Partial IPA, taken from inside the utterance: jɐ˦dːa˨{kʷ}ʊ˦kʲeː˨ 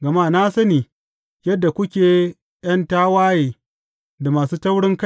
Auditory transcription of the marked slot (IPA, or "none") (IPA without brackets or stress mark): kʷ